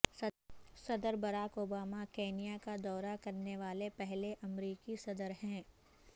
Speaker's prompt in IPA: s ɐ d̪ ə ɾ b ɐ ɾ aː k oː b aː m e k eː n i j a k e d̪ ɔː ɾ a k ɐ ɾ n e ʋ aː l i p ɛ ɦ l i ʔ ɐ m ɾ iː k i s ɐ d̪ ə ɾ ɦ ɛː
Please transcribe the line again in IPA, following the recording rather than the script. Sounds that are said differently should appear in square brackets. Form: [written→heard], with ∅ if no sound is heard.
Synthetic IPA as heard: s ɐ d̪ ə ɾ b ɐ ɾ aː k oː b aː m [e→a] k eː n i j a k [e→a] d̪ ɔː ɾ a k ɐ ɾ n e ʋ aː l [i→e] p ɛ ɦ l [i→e] ʔ ɐ m ɾ iː k i s ɐ d̪ ə ɾ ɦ [ɛː→ɛ̃ː]